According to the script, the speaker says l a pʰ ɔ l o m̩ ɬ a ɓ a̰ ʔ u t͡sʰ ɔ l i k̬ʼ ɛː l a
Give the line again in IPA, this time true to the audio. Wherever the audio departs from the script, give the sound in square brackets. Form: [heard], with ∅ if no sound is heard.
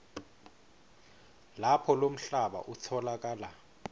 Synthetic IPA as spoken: l a pʰ ɔ l o m̩ ɬ a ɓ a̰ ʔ u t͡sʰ ɔ l [a] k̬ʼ [aː] l a